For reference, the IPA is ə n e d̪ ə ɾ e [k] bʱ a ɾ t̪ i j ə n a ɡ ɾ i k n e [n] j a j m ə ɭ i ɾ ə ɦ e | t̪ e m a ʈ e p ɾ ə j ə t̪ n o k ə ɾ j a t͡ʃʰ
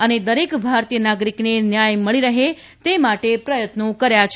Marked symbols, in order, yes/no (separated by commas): yes, yes